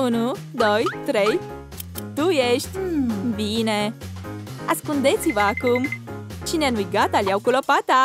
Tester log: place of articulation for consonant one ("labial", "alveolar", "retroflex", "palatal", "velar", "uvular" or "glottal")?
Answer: alveolar